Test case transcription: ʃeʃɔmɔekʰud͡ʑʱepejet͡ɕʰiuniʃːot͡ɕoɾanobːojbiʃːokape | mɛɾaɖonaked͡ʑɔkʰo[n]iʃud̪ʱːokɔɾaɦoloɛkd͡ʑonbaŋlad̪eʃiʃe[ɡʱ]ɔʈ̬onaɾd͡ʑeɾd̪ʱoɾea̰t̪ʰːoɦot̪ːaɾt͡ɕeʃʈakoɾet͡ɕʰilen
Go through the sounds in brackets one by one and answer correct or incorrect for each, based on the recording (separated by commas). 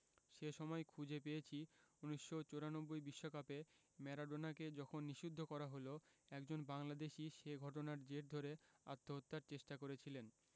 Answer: incorrect, correct